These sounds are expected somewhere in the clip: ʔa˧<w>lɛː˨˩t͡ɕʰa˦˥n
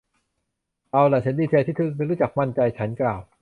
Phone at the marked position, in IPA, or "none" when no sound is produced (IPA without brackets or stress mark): w